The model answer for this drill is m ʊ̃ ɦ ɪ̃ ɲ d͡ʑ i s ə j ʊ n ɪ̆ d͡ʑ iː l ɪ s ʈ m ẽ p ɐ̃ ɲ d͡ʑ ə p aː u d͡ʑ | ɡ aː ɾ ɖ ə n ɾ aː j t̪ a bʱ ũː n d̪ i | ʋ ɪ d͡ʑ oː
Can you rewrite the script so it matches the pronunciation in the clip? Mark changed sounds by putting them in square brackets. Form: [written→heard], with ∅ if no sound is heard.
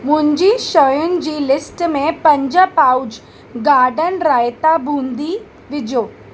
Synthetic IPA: m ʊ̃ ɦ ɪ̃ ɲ d͡ʑ i [s→ʃ] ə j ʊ n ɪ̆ d͡ʑ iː l ɪ s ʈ m ẽ p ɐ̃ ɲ d͡ʑ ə p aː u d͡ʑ | ɡ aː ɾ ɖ ə n ɾ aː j t̪ a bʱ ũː n d̪ i | ʋ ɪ d͡ʑ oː